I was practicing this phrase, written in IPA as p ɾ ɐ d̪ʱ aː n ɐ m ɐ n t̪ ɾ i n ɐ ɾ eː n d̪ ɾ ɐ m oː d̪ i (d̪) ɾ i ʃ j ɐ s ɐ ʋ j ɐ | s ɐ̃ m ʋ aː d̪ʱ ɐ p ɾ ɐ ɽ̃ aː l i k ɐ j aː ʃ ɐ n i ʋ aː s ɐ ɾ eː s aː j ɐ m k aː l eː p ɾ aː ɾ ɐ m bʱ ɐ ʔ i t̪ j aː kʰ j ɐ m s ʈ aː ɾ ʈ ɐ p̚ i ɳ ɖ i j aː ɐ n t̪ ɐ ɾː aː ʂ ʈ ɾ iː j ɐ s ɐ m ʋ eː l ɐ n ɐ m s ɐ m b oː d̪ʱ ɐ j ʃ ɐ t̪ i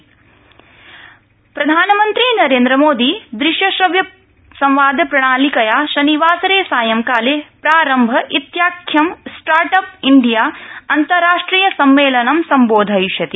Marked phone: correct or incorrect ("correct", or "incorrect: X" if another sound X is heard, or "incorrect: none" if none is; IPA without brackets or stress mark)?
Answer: correct